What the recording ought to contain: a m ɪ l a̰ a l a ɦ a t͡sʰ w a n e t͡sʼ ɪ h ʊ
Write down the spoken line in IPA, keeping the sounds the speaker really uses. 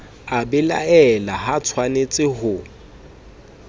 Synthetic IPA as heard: a b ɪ l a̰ ɛ l a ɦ a t͡sʰ w a n e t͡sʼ ɪ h ʊ